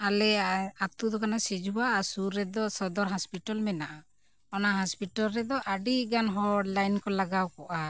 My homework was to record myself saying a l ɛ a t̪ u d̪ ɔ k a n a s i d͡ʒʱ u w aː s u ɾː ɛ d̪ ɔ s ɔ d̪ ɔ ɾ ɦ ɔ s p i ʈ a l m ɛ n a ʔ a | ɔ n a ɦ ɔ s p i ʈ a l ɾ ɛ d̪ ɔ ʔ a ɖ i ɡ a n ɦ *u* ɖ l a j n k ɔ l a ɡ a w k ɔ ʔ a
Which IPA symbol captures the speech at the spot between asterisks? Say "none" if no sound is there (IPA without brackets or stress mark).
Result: ɔ